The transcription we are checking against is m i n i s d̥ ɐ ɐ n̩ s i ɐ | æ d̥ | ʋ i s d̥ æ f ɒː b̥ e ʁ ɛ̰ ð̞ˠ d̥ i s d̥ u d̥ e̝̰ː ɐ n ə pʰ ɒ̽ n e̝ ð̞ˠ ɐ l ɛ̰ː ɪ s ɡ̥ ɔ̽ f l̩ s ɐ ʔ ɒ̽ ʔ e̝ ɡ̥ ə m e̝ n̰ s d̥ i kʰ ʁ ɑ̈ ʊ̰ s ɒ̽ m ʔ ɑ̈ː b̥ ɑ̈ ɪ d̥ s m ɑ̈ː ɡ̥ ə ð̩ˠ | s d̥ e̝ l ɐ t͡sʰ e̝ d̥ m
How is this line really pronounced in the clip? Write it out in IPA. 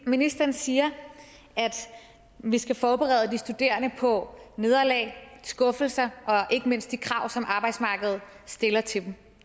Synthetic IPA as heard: m i n i s d̥ ɐ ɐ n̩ s iː ɐ | æ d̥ | ʋ i s ɡ̥ æ f ɒː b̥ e ʁ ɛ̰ ð̞ˠ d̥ i s d̥ u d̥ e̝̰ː ɐ n ə pʰ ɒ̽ n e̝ ð̞ˠ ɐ l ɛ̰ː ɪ s ɡ̥ ɔ̽ f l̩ s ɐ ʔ ɒ̽ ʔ e̝ ɡ̥ ə m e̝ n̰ s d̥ i kʰ ʁ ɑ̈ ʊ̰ s ɒ̽ m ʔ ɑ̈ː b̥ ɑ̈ ɪ d̥ s m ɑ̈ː ɡ̥ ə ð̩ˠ | s d̥ e̝ l ɐ t͡sʰ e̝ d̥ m